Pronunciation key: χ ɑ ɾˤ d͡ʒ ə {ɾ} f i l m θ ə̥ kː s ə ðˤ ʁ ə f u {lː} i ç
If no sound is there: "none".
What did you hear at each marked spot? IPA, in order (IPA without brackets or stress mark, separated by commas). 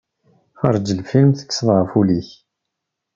l, l